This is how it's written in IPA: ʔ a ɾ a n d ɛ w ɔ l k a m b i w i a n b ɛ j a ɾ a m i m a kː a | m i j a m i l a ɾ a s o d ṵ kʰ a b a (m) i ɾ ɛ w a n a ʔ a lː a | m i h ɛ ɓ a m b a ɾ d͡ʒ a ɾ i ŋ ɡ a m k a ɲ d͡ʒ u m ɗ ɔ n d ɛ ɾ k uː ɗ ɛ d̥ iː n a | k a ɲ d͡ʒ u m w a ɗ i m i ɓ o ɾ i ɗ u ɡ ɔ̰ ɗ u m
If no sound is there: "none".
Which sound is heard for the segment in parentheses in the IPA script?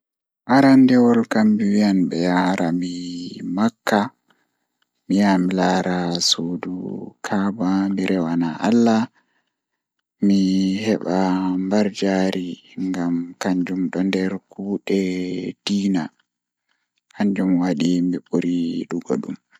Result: m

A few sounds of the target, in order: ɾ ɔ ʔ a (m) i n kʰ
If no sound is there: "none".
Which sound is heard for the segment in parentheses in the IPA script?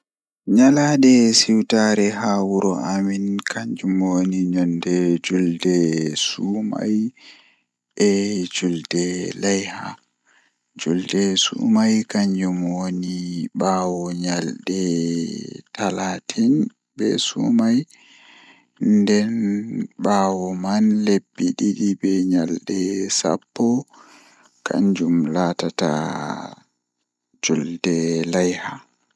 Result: m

